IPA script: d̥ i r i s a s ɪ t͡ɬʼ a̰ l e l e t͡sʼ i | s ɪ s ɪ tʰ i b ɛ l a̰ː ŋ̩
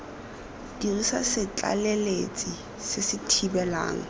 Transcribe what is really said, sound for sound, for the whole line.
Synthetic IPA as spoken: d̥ i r i s a s ɪ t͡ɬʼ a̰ l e l e t͡sʼ i | s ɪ s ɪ tʰ i b ɛ l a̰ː ŋ̩